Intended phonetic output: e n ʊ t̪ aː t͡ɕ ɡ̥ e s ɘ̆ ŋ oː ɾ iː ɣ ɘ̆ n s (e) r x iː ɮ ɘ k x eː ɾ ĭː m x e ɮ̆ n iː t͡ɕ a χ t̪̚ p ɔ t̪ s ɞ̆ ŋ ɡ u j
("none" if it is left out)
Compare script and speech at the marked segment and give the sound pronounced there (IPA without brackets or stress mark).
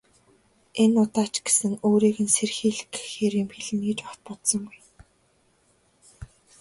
e